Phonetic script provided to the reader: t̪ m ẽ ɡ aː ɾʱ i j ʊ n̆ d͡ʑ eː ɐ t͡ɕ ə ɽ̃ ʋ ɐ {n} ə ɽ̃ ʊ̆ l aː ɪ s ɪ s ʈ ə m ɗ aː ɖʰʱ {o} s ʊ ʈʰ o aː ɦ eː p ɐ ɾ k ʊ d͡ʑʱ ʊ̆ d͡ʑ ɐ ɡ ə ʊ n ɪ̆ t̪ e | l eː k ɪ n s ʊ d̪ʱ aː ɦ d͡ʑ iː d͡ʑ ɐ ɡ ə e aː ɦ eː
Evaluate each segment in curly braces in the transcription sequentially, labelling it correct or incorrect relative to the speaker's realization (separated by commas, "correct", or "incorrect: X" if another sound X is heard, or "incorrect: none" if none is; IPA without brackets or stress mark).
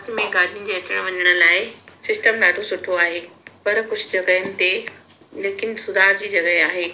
incorrect: ɲ, correct